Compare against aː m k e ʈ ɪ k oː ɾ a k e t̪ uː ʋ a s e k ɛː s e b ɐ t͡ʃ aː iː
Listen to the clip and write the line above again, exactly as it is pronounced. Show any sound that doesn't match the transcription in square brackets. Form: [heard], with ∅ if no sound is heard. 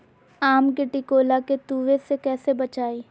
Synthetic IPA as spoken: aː m k e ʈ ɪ k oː [l] a k e t̪ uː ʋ [e] s e k ɛː s e b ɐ t͡ʃ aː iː